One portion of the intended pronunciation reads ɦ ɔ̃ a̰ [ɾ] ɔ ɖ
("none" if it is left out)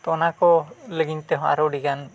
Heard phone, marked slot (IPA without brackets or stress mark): ɾ